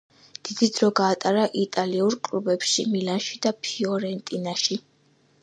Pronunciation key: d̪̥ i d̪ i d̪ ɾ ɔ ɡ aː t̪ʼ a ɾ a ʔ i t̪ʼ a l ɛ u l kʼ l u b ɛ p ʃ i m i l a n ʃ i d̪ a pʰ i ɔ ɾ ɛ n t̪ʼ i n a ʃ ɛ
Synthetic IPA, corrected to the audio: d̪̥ i d̪ i d̪ ɾ ɔ ɡ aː t̪ʼ a ɾ a ʔ i t̪ʼ a l i u ɾ kʼ l u b ɛ p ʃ i m i l a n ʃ i d̪ a pʰ i ɔ ɾ ɛ n t̪ʼ i n a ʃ i

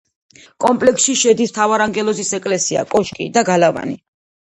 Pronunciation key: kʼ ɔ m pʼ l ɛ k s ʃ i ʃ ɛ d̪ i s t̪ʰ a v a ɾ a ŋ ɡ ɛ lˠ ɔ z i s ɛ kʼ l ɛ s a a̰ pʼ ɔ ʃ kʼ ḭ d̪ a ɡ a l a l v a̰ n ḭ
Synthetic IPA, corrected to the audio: kʼ ɔ m pʼ l ɛ k s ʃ i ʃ ɛ d̪ i s t̪ʰ a v a ɾ a ŋ ɡ ɛ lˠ ɔ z i s ɛ kʼ l ɛ s i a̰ kʼ ɔ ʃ kʼ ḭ d̪ a ɡ a l a v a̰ n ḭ

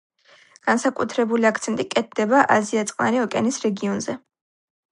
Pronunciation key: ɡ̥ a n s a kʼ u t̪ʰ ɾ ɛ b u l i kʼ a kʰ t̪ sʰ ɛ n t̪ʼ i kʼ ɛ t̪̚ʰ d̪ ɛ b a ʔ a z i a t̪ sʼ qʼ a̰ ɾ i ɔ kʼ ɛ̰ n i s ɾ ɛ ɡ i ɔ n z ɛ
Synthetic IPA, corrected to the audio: ɡ̥ a n s a kʼ u t̪ʰ ɾ ɛ b u l i a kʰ t̪ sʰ ɛ n t̪ʼ i kʼ ɛ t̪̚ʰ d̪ ɛ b a ʔ a z i a t̪ sʼ qʼ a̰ ɾ i ɔ kʼ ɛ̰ n i s ɾ ɛ ɡ i ɔ n z ɛ

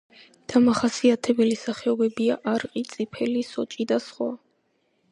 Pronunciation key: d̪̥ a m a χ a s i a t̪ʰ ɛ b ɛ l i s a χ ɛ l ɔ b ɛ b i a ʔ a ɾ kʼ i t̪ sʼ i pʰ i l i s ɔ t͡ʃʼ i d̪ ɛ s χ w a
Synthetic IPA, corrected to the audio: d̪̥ a m a χ a s i a t̪ʰ ɛ b ɛ l i s a χ ɛ ɔ b ɛ b i a ʔ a ɾ qʼ i t̪ sʼ i pʰ ɛ l i s ɔ t͡ʃʼ i d̪ a s χ w a

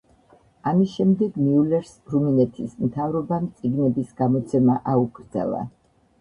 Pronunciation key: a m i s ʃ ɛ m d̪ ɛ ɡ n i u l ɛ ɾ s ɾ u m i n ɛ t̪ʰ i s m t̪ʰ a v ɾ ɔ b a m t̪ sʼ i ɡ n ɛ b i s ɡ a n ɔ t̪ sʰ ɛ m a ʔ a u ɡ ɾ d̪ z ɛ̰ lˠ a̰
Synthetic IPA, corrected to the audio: a m i s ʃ ɛ m d̪ ɛ ɡ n i u l ɛ ɾ s ɾ u m i n ɛ t̪ʰ i s m t̪ʰ a v ɾ ɔ b a m t̪ sʼ i ɡ n ɛ b i s ɡ a m ɔ t̪ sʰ ɛ m a ʔ a u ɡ ɾ d̪ z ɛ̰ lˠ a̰

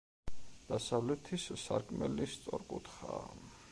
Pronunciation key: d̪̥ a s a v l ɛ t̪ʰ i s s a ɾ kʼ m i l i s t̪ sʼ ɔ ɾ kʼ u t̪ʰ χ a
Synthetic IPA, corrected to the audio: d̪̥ a s a v l ɛ t̪ʰ i s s a ɾ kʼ m ɛ l i s t̪ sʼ ɔ ɾ kʼ u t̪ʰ χ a

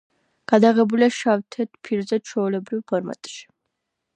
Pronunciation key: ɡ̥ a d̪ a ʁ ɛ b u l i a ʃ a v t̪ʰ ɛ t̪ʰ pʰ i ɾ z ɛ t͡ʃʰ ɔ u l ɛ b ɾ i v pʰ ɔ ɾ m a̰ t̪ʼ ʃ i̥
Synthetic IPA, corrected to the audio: ɡ̥ a d̪ a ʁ ɛ b u l i a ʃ a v t̪ʰ ɛ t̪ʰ pʰ i ɾ z ɛ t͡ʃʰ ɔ u l ɛ b ɾ i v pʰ ɔ ɾ m a̰ t̪ʼ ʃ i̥

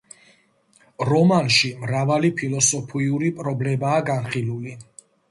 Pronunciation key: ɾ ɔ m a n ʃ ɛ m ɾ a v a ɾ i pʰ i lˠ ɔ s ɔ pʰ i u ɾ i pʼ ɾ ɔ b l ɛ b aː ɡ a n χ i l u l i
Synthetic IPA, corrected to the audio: ɾ ɔ m a n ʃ i m ɾ a v a l i pʰ i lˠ ɔ s ɔ pʰ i u ɾ i pʼ ɾ ɔ b l ɛ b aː ɡ a n χ i l u l i

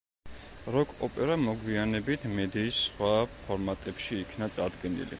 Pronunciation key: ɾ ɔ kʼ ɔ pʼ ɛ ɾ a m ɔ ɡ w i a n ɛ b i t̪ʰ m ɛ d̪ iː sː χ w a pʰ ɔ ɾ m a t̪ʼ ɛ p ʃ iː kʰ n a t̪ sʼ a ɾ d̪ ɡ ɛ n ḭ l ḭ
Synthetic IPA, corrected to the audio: ɾ ɔ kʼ ɔ pʼ ɛ ɾ a m ɔ ɡ w i a n ɛ b i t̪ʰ m ɛ d̪ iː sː χ w a pʰ ɔ ɾ m a t̪ʼ ɛ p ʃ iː kʰ n a t̪ sʼ a ɾ d̪ ɡ ɛ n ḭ l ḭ

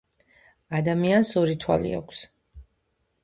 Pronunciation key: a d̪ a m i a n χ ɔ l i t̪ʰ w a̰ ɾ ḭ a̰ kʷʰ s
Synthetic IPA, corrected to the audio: a d̪ a m i a n s ɔ ɾ i t̪ʰ w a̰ l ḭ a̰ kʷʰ s

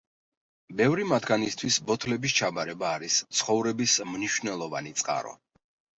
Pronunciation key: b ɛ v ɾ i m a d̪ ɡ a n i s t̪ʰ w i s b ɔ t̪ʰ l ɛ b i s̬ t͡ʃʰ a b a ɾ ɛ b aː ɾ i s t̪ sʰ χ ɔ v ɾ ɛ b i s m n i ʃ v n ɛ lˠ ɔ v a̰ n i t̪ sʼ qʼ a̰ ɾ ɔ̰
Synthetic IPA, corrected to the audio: b ɛ v ɾ i m a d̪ ɡ a n i s t̪ʰ w i s b ɔ t̪ʰ l ɛ b i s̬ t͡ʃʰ a b a ɾ ɛ b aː ɾ i s t̪ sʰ χ ɔ v ɾ ɛ b i s m n i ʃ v n ɛ lˠ ɔ v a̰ n i t̪ sʼ qʼ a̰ ɾ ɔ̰

